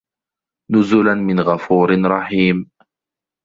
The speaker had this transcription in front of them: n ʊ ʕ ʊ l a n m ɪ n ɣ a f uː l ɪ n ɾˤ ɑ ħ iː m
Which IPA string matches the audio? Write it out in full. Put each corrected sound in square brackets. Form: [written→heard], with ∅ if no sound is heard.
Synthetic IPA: n ʊ [ʕ→z] ʊ l a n m ɪ n ɣ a f uː [l→ɾ] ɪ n ɾˤ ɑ ħ iː m